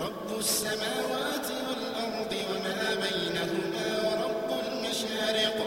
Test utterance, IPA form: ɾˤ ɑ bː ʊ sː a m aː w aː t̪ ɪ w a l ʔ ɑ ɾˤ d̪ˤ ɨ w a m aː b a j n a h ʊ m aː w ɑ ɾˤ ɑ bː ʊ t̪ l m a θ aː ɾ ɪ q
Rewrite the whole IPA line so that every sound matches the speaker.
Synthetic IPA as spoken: ɾˤ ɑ bː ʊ sː a m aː w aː t̪ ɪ w a l ʔ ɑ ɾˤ d̪ˤ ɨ w a m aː b a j n a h ʊ m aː w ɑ ɾˤ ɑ bː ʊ l m a ʃ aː ɾ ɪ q